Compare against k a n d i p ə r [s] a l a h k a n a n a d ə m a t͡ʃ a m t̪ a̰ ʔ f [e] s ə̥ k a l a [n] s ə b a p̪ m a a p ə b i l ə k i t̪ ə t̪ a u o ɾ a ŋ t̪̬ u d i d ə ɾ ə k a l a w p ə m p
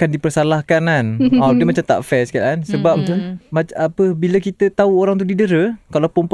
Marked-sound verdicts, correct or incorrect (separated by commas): correct, incorrect, correct